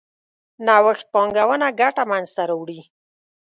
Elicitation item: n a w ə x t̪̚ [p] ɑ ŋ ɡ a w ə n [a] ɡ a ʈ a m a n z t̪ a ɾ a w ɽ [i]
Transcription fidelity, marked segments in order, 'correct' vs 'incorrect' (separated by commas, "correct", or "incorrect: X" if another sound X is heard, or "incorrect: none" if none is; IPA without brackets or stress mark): correct, correct, correct